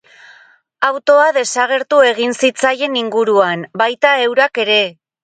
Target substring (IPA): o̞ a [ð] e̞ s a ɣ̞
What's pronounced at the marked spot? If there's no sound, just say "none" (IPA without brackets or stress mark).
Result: ð